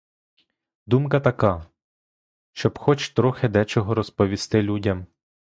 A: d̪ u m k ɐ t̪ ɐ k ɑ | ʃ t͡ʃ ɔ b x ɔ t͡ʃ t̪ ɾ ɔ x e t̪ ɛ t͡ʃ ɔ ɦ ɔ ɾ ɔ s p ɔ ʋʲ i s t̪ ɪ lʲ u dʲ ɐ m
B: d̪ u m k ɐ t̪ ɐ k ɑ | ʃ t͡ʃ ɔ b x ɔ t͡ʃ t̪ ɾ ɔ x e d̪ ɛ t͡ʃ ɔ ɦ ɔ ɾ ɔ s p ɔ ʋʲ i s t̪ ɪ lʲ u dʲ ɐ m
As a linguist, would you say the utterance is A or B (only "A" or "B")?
B